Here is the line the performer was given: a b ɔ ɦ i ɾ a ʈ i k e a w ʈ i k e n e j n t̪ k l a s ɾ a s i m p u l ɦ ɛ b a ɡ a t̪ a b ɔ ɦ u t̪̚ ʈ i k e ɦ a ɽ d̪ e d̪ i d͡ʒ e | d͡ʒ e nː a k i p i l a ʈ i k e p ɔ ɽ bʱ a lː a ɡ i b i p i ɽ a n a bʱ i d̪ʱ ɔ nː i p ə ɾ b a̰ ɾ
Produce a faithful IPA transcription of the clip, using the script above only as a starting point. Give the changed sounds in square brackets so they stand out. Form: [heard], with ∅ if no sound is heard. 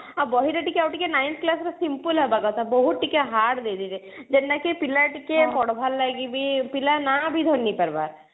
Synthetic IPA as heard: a b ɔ ɦ i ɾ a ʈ i k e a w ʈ i k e n [a] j n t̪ k l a s ɾ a s i m p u l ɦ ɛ b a ɡ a t̪ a b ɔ ɦ u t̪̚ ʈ i k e ɦ a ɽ d̪ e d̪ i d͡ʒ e | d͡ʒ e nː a k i p i l a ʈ i k e p ɔ ɽ bʱ a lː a ɡ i b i p i [l] a n a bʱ i d̪ʱ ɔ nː i p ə ɾ b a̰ ɾ